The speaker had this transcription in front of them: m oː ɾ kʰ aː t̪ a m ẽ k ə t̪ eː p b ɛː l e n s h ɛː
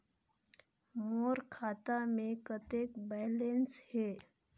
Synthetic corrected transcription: m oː ɾ kʰ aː t̪ a m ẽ k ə t̪ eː k b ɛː l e n s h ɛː